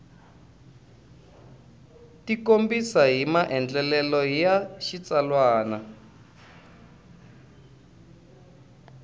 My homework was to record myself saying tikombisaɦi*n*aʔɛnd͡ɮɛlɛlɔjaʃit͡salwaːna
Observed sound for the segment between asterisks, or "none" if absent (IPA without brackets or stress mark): m